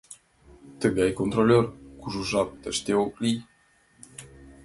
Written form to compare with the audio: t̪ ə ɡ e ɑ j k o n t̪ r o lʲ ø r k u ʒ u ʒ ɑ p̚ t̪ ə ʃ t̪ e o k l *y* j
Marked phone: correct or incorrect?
incorrect: i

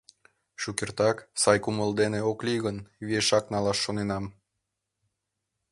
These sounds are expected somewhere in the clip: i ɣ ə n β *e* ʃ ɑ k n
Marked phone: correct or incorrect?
correct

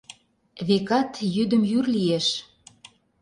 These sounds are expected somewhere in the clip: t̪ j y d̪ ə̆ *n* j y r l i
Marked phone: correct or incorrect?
incorrect: m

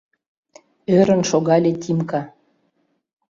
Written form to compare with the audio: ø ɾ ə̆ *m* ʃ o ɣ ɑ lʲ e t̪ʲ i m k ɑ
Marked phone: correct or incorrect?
incorrect: n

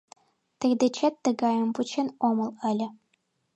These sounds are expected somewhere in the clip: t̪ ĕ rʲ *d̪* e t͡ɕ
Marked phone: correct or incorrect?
correct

